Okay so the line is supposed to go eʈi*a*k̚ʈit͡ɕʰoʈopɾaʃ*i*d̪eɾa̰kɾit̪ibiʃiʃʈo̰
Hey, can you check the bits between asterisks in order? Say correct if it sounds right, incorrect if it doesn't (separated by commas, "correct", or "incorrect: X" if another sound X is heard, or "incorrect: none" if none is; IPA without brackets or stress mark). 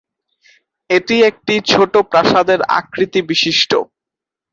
incorrect: e, incorrect: a